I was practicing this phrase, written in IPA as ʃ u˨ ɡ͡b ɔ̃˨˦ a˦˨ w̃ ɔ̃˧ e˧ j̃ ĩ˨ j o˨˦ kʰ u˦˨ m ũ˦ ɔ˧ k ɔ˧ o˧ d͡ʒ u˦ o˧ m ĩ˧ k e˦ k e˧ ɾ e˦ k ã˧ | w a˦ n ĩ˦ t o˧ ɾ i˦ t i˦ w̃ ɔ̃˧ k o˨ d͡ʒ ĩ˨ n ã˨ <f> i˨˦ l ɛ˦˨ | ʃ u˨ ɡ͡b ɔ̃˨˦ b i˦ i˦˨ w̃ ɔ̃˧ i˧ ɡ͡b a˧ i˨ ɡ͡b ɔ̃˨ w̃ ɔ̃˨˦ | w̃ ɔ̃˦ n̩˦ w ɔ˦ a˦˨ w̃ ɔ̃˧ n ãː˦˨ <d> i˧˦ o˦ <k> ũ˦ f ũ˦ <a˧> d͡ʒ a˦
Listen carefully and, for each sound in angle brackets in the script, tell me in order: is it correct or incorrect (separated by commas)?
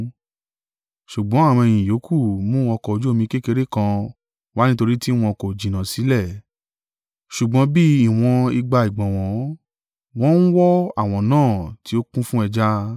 incorrect, incorrect, correct, incorrect